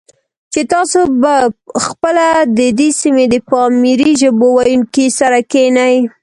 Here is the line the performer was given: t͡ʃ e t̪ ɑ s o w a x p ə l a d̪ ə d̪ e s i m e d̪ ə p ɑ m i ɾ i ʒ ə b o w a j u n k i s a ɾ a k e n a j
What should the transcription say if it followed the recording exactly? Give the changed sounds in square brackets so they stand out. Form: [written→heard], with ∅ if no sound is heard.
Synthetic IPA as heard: t͡ʃ e t̪ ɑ s o [w→b] a x p ə l a d̪ ə d̪ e s i m e d̪ ə p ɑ m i ɾ i ʒ ə b o w a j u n k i s a ɾ a k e n a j